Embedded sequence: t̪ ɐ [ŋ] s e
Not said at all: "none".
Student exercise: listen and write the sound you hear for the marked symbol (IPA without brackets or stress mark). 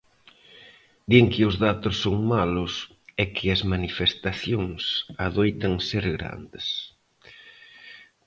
ŋ